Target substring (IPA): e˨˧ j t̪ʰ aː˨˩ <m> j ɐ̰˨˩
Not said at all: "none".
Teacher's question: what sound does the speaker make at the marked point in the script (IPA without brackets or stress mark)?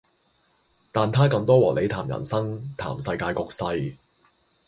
m